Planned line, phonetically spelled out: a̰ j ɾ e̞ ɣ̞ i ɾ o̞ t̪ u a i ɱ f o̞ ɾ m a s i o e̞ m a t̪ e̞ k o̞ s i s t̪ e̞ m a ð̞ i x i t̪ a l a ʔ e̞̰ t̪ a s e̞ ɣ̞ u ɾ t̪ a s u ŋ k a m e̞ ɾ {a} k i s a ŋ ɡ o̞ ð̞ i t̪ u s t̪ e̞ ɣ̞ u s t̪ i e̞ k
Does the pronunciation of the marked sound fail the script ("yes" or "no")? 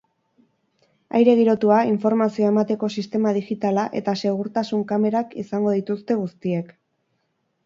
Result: no